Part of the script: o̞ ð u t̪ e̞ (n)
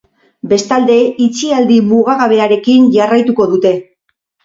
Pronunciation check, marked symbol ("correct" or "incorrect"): incorrect